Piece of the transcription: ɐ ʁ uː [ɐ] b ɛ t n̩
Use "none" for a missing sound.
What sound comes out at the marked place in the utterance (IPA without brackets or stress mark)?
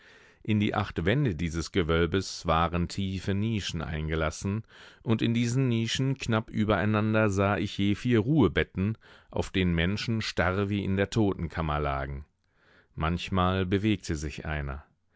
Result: ə